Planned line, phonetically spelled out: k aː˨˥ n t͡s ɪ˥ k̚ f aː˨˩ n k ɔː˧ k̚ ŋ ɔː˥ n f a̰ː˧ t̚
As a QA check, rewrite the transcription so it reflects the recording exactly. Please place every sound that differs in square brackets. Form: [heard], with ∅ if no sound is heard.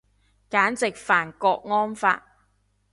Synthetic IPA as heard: k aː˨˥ n t͡s [ɪ˨] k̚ f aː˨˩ n k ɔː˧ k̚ ŋ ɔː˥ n f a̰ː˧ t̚